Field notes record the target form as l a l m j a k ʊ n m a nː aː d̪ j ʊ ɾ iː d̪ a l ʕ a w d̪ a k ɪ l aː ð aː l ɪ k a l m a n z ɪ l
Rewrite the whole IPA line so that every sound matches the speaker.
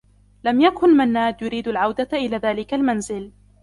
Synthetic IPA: l a m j a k ʊ n m a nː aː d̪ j ʊ ɾ iː d̪ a l ʕ a w d̪ a ʔ ɪ l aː ð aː l ɪ k a l m a n z ɪ l